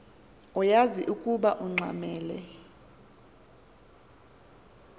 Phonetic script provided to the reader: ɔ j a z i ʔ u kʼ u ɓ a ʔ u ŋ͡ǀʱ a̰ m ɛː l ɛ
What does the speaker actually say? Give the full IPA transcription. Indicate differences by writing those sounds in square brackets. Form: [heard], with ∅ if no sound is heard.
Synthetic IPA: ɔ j a z i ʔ u kʼ u ɓ a ʔ u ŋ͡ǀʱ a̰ m ɛː l ɛ